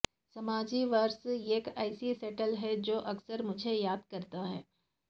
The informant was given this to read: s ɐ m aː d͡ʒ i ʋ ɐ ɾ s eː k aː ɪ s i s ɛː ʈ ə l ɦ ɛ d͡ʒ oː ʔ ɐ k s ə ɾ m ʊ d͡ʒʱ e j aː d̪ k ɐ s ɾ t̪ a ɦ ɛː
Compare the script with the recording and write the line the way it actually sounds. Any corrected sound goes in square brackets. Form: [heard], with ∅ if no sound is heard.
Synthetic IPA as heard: s ɐ m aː d͡ʒ i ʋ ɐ ɾ s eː k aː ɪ s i s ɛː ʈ ə l ɦ ɛ d͡ʒ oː ʔ ɐ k s ə ɾ m ʊ d͡ʒʱ e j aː d̪ k ɐ [∅] ɾ t̪ a ɦ ɛː